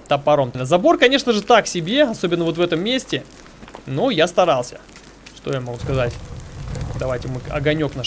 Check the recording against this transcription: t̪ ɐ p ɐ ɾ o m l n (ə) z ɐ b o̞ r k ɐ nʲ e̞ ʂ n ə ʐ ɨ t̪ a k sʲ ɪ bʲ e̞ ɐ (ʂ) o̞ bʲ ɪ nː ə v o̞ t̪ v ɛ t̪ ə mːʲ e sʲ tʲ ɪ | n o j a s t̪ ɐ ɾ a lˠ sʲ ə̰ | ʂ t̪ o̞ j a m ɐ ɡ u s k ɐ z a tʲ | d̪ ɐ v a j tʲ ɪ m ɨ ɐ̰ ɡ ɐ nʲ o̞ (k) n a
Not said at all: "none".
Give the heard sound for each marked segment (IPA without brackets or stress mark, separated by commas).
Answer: ə, s, k